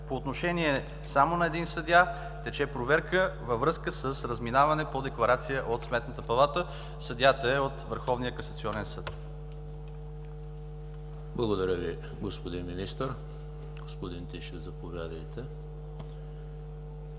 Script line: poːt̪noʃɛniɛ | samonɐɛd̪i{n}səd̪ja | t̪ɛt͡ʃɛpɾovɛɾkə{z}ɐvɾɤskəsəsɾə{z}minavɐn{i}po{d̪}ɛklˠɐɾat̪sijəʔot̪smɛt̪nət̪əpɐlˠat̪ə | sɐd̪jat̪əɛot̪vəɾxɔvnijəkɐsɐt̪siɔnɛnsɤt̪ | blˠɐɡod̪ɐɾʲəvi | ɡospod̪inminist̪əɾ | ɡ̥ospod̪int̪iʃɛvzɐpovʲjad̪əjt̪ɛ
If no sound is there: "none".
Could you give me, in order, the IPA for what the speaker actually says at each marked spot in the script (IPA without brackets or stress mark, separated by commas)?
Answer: n, v, z, ɛ, d̪